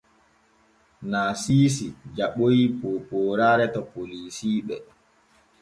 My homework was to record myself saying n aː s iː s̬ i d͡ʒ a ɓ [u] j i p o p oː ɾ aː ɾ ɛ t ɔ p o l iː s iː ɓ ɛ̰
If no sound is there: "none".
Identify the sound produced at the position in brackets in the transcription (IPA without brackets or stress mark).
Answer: o